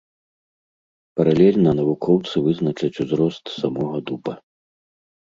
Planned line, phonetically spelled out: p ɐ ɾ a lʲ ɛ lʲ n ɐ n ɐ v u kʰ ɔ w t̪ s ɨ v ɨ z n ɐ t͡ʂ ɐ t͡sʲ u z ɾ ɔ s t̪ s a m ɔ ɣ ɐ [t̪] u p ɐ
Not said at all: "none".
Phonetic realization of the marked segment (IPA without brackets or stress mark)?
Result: d̪